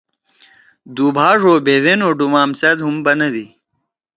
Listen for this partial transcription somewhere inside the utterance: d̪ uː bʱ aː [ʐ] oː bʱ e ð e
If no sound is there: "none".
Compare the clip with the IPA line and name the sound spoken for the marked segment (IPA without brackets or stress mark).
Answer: ʐ